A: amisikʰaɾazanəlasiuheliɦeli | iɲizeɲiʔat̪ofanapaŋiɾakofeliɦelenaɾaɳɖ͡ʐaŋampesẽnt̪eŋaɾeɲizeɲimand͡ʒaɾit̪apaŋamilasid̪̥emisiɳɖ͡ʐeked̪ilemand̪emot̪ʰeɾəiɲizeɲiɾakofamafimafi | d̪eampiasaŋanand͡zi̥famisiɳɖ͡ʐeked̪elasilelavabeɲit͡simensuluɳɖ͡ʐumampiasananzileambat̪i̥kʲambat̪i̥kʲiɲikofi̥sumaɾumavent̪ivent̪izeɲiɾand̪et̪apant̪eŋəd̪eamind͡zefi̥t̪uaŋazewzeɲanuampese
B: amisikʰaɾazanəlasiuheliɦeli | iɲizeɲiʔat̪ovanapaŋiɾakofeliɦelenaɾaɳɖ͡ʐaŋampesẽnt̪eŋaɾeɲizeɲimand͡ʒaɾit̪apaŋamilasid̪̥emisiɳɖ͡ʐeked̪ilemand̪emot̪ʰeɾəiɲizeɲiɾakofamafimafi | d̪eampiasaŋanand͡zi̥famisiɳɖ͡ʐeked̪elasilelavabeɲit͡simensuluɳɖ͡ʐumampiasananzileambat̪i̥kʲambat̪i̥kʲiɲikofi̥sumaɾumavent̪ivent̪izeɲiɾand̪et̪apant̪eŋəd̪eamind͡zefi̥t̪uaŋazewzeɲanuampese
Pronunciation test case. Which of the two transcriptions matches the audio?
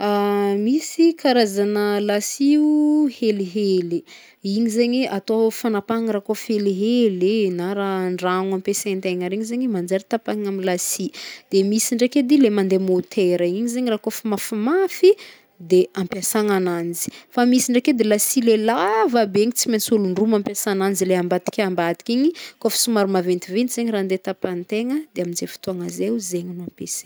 A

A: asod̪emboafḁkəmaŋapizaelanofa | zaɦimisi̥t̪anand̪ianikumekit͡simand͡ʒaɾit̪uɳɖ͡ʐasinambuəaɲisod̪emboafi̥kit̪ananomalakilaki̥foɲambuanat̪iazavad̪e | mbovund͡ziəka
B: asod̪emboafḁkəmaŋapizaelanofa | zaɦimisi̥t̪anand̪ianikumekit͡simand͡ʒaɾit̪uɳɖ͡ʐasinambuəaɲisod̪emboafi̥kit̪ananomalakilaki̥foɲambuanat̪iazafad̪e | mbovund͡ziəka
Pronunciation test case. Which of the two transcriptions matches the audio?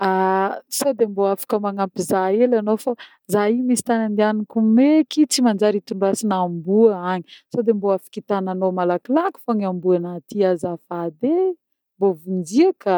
B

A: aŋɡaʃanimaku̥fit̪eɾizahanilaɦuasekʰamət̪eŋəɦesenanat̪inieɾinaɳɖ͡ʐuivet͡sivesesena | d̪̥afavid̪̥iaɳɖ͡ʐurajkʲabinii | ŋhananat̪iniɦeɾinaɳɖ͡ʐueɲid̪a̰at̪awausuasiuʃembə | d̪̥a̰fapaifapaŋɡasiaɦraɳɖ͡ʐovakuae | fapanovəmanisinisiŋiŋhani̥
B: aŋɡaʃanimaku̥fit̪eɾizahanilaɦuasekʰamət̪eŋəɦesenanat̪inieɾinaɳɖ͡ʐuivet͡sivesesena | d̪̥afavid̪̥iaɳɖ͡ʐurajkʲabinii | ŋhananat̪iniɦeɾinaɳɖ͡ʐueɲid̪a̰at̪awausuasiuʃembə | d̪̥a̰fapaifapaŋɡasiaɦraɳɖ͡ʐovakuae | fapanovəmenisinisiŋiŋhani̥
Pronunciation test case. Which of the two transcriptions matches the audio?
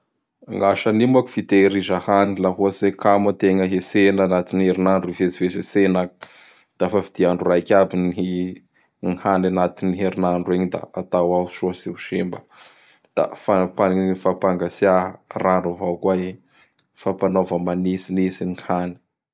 A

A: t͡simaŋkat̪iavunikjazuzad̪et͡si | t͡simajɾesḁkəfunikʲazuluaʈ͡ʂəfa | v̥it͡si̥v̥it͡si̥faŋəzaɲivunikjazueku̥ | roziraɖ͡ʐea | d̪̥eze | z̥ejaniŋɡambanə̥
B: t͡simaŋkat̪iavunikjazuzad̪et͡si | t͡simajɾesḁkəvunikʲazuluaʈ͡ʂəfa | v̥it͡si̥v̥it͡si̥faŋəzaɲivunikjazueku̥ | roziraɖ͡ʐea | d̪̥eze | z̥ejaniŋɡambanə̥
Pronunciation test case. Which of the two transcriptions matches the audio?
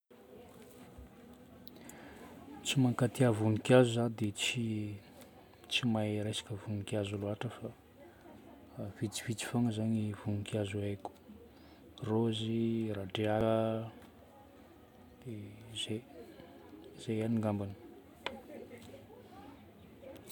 B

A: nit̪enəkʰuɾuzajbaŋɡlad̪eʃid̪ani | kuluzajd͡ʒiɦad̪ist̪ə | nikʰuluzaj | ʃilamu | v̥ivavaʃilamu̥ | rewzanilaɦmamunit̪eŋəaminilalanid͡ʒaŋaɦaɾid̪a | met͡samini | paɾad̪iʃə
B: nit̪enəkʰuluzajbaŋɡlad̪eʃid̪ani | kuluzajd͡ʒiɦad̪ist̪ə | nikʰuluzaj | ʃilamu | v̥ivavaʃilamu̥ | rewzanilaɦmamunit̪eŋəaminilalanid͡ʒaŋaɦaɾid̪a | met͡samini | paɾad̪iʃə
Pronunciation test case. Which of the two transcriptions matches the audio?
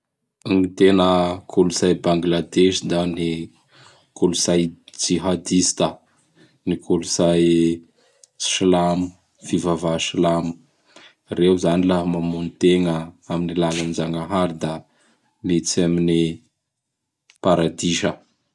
B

